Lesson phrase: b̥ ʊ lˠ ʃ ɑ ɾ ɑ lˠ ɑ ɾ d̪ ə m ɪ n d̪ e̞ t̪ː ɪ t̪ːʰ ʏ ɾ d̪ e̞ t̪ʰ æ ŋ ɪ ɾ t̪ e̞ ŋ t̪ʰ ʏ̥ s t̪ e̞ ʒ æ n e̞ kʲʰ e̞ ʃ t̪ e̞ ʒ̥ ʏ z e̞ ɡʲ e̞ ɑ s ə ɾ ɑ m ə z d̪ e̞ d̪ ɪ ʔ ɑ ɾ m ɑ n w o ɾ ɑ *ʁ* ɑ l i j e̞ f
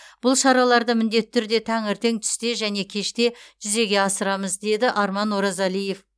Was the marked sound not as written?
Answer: yes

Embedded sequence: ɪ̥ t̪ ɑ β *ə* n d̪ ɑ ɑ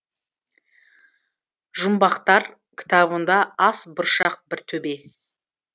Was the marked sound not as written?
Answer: no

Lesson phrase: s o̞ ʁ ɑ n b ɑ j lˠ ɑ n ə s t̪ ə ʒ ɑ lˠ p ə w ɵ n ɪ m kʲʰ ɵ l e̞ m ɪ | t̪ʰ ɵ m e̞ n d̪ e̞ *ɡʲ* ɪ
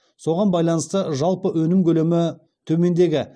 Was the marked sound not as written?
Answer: no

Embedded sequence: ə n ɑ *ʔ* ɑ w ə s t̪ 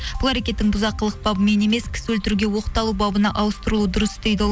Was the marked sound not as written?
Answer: no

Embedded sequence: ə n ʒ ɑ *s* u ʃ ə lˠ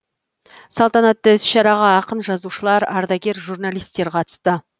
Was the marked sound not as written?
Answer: yes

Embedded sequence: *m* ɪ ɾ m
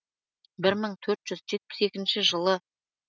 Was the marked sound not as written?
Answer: yes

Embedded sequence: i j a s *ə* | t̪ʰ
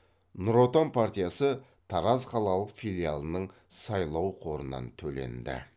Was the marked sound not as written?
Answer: no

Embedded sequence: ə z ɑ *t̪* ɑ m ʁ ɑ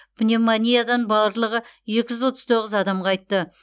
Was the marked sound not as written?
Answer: yes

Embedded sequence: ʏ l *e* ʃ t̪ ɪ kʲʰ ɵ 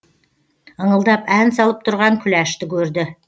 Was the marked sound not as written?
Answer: yes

